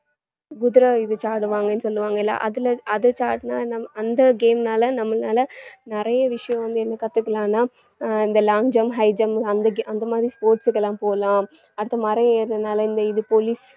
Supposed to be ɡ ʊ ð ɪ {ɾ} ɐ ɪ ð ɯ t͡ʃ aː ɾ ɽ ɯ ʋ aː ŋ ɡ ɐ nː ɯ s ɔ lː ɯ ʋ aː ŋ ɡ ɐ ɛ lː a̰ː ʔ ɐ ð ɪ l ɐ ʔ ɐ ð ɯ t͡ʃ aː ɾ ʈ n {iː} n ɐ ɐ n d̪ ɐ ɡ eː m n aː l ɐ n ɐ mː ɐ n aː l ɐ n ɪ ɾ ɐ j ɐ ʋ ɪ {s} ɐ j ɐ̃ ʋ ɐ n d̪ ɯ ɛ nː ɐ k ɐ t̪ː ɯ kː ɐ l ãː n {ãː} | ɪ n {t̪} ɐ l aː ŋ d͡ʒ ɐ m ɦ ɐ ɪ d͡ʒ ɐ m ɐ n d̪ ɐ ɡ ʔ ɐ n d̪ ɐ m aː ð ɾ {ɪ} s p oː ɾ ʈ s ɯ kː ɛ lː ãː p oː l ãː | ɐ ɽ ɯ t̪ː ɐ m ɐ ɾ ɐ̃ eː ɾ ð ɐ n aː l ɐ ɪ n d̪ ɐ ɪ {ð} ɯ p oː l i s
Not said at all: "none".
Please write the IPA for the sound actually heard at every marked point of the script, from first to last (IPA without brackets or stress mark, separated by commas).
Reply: ɾ, aː, ʂ, aː, d̪, i, ð